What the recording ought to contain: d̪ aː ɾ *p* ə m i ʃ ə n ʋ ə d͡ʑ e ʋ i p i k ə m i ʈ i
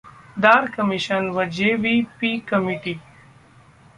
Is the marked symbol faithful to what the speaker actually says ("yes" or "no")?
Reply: no